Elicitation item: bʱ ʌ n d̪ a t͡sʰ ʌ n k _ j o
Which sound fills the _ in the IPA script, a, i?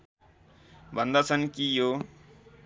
i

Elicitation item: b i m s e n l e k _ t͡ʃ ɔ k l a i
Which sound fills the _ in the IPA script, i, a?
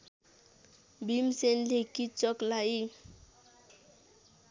i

